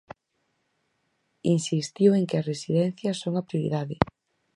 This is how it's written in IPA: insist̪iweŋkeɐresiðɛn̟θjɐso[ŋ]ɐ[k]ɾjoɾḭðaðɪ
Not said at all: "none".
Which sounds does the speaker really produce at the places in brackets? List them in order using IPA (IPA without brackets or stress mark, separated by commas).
ŋ, p